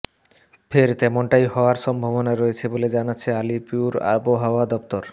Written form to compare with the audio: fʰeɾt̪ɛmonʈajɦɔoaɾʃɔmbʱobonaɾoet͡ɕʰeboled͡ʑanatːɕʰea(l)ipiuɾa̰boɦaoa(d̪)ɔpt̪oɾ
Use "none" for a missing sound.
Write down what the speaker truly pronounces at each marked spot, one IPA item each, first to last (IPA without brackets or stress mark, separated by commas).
l, d̪